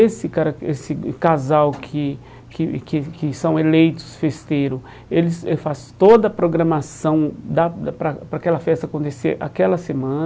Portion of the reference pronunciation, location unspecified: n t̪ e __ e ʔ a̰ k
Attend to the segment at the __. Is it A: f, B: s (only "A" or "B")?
B